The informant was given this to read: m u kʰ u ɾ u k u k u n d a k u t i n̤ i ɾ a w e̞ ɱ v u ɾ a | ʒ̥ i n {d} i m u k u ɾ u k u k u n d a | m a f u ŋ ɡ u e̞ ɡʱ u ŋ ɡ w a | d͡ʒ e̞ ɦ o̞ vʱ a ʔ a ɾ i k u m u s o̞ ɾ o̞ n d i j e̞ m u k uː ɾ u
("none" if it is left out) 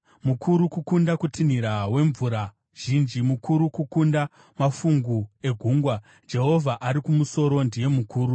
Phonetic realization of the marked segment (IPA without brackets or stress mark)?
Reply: d͡ʒ